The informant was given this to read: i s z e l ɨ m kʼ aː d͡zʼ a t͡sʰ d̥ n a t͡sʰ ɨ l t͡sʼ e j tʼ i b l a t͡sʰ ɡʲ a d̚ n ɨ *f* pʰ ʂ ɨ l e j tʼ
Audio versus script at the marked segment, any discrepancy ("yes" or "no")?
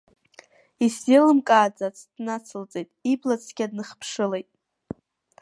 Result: yes